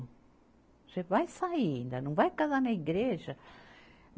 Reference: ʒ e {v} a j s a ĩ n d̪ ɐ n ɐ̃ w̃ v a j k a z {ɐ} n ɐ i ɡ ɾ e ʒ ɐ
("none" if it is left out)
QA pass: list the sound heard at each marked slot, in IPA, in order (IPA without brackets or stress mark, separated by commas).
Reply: v, a